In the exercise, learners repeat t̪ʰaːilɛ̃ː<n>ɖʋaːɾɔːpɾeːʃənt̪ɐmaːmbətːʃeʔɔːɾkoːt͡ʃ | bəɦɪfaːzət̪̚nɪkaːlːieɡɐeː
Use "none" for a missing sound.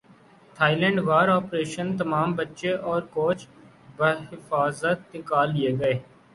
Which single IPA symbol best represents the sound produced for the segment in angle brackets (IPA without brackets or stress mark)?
ɳ